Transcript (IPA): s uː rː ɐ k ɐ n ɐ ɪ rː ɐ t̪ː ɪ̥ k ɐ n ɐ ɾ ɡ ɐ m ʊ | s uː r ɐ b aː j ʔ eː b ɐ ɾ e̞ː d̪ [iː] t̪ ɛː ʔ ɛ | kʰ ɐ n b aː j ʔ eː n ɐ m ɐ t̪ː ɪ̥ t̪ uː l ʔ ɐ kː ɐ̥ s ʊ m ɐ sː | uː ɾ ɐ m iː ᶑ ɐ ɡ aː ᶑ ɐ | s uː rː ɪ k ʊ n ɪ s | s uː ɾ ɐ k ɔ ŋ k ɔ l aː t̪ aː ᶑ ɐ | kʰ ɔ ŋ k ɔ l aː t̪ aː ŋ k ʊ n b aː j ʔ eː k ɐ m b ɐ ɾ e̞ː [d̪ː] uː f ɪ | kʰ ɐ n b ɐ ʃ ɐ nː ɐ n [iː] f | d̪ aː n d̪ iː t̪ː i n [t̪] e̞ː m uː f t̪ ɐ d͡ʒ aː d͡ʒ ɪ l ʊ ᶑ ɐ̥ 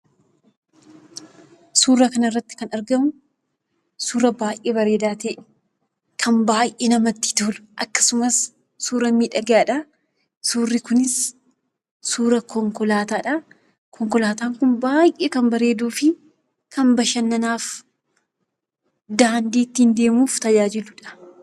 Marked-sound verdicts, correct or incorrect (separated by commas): incorrect, incorrect, incorrect, incorrect